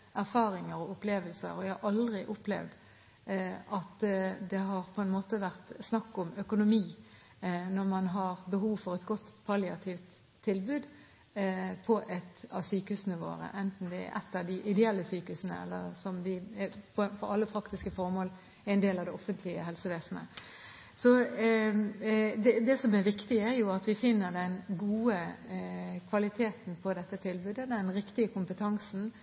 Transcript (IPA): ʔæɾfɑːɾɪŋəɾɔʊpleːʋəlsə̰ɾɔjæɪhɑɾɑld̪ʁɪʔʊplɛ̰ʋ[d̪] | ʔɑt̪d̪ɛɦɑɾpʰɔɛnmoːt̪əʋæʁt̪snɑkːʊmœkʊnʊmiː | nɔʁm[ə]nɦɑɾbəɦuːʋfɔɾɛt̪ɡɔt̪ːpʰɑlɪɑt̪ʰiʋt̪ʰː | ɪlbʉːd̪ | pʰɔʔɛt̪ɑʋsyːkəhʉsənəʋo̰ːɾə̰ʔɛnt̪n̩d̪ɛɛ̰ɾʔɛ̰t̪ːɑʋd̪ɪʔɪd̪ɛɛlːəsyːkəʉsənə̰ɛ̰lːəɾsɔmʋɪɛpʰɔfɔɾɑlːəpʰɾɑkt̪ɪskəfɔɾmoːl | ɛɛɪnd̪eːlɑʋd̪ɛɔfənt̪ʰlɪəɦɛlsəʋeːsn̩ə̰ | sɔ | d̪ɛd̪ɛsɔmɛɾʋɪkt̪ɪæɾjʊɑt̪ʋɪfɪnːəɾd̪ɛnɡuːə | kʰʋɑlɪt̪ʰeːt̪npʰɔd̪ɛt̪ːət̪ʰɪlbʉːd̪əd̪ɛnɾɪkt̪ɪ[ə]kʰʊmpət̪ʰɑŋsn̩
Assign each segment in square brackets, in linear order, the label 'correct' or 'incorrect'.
correct, incorrect: ɑ, correct

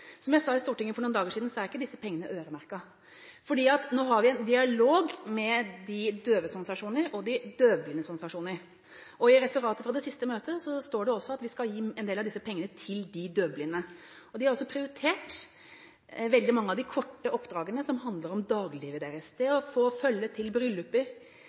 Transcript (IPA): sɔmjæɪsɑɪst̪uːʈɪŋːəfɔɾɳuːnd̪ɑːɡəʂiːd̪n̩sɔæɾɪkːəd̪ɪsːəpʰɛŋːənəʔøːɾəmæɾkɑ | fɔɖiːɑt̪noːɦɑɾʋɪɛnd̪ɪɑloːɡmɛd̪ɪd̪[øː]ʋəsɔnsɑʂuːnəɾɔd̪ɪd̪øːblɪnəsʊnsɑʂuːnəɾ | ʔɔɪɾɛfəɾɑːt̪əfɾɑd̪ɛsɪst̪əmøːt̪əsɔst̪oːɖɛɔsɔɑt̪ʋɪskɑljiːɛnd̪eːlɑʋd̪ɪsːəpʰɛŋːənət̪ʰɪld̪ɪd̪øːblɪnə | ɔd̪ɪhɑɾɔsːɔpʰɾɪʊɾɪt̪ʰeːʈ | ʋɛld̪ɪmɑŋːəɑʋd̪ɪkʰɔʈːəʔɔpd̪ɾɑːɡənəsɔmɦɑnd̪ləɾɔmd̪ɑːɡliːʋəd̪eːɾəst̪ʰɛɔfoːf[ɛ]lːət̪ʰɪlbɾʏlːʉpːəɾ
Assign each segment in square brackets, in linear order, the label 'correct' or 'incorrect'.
correct, incorrect: œ

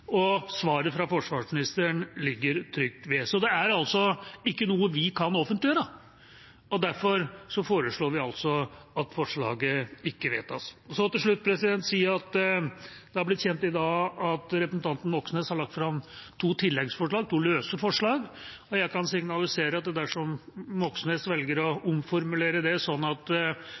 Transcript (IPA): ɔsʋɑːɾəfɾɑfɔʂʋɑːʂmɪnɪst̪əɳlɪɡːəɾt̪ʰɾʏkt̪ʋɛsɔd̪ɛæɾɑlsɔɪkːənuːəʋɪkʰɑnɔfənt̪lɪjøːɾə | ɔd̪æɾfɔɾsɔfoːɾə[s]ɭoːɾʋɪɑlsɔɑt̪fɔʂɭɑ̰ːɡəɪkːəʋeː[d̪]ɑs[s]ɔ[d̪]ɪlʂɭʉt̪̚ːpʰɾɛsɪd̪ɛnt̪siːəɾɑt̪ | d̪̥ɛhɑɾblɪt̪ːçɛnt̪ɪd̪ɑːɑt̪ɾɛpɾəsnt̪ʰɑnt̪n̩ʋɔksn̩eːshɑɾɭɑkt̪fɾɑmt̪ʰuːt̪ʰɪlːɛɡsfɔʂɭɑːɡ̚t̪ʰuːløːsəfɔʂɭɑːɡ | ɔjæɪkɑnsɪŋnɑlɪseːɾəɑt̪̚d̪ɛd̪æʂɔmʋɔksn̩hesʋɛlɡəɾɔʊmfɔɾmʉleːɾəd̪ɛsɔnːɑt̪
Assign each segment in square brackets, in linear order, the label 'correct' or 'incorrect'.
incorrect: ʂ, incorrect: t̪, correct, incorrect: t̪

